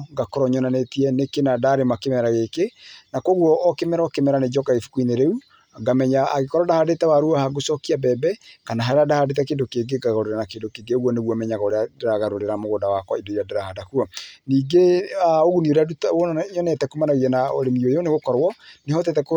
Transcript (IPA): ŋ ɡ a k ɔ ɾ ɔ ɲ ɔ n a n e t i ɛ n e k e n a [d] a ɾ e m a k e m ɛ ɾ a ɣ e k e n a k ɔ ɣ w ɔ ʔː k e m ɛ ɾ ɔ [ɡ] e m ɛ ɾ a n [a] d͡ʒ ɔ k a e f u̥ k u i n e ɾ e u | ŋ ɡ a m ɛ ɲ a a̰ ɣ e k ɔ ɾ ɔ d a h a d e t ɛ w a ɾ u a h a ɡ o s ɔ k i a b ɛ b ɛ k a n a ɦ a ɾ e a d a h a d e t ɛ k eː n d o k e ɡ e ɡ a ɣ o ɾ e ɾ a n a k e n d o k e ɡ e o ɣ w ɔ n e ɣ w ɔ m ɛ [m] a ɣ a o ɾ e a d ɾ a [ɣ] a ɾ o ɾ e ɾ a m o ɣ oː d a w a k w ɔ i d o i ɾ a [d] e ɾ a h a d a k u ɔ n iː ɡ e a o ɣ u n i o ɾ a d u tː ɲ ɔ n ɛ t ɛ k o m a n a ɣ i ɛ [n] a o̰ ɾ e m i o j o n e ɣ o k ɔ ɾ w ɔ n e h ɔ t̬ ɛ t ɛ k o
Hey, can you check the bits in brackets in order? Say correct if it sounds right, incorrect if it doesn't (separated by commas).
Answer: correct, incorrect, incorrect, incorrect, correct, correct, correct